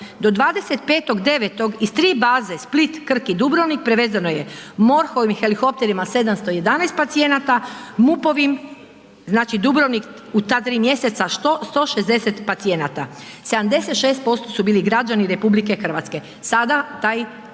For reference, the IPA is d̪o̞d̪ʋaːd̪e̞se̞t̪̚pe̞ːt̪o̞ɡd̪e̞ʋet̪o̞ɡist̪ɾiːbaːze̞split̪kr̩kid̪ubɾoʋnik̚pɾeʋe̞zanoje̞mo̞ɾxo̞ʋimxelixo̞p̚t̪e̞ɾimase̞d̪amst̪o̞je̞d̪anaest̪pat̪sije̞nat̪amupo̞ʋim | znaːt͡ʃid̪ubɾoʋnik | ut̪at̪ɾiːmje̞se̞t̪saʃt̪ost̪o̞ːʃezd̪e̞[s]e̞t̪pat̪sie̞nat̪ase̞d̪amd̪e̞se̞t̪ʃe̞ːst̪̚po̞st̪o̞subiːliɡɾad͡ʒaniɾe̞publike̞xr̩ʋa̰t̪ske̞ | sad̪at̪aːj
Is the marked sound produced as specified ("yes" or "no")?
yes